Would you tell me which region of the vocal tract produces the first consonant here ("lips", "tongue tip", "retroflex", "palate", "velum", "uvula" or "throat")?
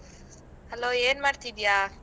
throat